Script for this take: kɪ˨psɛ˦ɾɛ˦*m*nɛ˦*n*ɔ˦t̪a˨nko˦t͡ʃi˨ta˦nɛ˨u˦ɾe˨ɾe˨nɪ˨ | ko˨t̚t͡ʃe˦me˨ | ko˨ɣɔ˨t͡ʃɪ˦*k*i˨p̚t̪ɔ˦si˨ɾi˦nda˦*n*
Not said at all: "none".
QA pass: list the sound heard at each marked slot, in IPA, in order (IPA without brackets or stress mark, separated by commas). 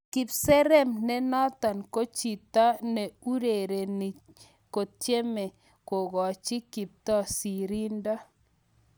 m, n, k, none